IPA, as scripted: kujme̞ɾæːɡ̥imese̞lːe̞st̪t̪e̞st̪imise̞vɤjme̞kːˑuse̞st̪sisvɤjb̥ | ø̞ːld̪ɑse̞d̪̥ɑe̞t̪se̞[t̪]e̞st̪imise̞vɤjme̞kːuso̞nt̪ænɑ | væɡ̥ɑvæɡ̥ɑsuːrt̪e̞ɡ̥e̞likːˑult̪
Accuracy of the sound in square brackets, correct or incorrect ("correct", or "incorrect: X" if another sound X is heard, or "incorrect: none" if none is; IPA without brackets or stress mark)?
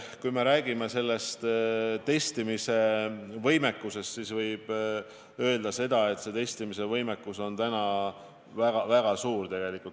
correct